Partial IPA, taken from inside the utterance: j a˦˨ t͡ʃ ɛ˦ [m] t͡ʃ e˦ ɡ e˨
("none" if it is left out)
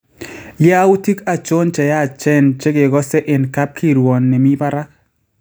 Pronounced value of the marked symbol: n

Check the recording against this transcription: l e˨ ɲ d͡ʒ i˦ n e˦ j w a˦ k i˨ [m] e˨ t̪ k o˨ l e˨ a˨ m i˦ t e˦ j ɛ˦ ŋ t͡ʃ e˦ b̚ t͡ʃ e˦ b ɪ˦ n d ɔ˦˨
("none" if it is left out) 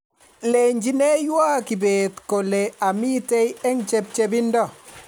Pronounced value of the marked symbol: b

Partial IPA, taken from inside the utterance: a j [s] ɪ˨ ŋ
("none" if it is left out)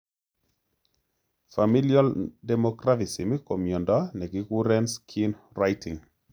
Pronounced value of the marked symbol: t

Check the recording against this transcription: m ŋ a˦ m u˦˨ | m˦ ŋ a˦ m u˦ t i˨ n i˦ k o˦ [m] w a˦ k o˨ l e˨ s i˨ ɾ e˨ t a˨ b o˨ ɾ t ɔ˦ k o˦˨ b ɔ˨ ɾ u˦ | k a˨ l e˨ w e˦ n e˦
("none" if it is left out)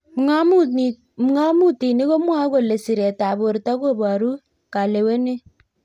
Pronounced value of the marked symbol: m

